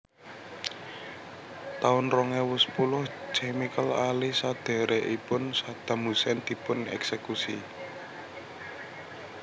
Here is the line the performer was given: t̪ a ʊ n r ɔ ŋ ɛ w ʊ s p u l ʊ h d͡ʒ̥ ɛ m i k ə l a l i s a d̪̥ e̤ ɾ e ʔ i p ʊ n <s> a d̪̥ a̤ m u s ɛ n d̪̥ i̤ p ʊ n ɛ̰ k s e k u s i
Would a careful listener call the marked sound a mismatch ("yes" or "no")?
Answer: no